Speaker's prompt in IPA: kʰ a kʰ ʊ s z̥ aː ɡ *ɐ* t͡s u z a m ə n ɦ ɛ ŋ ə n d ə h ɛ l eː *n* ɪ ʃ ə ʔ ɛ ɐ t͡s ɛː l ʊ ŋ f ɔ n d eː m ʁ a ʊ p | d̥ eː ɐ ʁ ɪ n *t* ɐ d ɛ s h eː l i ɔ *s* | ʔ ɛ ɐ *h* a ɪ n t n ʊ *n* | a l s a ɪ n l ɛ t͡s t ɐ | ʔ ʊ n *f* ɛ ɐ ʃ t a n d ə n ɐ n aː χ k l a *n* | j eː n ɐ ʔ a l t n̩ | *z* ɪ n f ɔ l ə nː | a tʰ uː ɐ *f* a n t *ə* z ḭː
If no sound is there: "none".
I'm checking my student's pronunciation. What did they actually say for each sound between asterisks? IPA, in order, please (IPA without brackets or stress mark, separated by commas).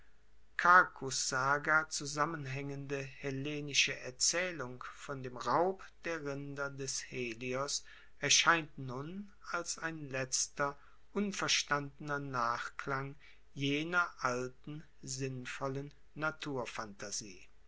ɐ, n, d, s, ʃ, n, f, ŋ, z, f, a